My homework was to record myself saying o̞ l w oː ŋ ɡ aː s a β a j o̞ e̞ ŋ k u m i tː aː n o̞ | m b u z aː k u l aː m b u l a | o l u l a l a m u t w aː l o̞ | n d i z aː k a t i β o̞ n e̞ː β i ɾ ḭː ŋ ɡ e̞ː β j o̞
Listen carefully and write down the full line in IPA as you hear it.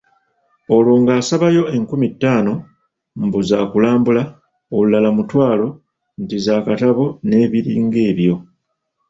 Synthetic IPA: o̞ l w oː ŋ ɡ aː s a β a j o̞ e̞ ŋ k u m i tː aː n o̞ | m b u z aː k u l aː m b u l a | o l u l a l a m u t w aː l o̞ | n t i z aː k a t a β o̞ n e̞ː β i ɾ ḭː ŋ ɡ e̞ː β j o̞